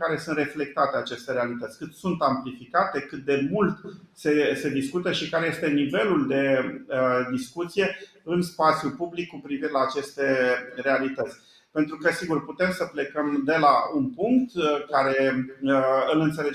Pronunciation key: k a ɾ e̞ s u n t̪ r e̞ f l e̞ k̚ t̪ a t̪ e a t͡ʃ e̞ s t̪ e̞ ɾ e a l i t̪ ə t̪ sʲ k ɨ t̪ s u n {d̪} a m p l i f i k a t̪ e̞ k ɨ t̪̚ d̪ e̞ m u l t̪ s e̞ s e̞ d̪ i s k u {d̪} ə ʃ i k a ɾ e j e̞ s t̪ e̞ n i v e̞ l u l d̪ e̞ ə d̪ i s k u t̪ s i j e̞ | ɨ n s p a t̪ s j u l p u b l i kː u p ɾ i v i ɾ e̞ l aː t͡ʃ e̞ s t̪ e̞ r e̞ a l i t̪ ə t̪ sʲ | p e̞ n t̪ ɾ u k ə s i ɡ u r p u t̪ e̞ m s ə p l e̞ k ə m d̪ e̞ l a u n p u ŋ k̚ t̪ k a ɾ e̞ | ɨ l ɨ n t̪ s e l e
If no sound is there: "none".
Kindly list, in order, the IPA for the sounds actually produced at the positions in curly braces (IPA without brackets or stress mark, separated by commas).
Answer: t̪, t̪